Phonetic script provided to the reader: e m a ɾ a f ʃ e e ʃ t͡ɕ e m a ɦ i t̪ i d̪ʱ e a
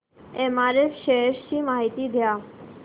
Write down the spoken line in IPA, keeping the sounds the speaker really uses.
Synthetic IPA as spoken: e m a ɾ e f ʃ e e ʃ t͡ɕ i m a ɦ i t̪ i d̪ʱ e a